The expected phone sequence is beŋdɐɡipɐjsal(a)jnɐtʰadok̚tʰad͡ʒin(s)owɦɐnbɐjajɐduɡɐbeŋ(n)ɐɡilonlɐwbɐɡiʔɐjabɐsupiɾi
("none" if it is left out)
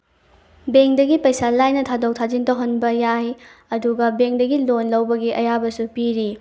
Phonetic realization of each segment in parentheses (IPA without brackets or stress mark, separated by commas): a, t, d